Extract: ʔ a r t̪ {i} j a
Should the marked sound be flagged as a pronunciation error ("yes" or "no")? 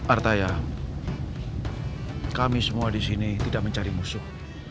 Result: yes